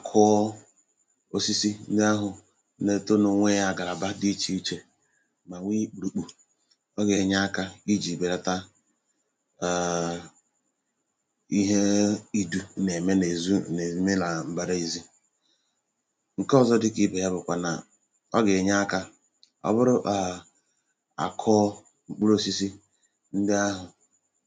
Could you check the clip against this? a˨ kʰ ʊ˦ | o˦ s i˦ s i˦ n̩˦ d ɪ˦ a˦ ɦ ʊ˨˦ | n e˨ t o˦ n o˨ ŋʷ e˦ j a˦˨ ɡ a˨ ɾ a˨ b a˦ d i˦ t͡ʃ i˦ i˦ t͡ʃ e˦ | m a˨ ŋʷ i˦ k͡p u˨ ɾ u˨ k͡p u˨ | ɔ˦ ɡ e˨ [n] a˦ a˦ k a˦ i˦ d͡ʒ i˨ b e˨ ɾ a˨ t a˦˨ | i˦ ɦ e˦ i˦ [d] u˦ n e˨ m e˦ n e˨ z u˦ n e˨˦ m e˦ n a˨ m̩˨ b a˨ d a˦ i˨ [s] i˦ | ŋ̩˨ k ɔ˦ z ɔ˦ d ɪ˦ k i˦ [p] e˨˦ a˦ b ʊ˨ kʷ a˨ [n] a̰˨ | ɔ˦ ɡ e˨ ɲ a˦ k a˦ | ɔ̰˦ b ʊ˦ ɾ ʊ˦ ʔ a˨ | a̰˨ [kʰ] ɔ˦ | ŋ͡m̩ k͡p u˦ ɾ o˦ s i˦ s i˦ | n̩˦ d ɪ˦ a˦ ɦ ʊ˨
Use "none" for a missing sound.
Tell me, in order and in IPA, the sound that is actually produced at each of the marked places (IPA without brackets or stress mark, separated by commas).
ɲ, d, z, b, n, kʰ